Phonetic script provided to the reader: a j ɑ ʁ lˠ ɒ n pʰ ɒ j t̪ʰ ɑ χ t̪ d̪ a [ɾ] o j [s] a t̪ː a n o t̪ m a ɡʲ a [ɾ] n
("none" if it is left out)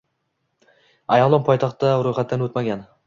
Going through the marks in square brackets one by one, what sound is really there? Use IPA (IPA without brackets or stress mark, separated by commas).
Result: ɾ, χ, none